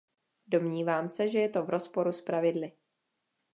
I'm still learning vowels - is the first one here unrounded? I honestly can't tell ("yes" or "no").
no